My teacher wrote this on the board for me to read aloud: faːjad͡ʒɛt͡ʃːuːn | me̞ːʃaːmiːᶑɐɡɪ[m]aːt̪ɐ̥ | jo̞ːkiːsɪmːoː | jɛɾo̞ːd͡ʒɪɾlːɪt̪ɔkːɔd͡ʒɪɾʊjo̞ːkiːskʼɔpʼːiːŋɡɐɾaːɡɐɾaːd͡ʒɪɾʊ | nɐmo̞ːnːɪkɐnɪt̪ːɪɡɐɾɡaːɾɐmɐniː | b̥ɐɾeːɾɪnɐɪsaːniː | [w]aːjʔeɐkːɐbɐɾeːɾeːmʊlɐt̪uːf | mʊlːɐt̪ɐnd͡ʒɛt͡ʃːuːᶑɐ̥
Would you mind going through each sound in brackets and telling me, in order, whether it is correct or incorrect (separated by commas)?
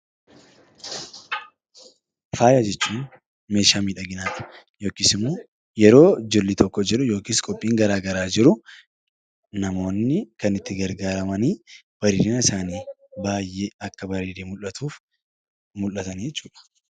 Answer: incorrect, incorrect